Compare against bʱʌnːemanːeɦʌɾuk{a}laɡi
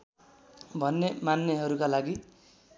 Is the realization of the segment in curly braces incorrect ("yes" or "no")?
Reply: no